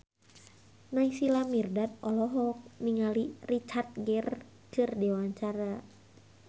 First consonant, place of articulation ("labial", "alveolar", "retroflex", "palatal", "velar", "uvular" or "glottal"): alveolar